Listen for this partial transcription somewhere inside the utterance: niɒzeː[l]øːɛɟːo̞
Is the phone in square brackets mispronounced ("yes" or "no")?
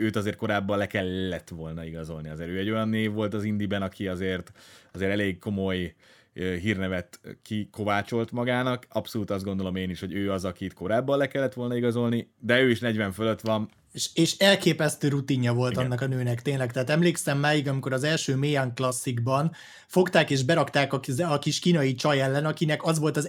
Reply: yes